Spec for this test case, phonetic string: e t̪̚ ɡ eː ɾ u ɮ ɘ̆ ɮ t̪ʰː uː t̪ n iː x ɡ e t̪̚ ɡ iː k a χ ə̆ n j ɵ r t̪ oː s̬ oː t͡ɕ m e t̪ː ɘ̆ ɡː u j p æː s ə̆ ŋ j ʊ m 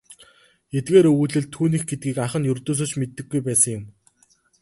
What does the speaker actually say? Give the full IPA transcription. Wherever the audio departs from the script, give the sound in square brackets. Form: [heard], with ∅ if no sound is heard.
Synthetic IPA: e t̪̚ ɡ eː ɾ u ɮ ɘ̆ ɮ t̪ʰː uː [∅] n iː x ɡ e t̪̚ ɡ iː k a χ ə̆ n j ɵ r t̪ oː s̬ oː t͡ɕ m e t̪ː ɘ̆ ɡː u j p æː s ə̆ ŋ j ʊ m